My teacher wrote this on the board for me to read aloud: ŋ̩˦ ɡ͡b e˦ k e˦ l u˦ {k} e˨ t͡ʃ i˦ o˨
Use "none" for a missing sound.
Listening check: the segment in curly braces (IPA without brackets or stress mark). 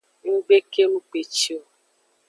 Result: k͡p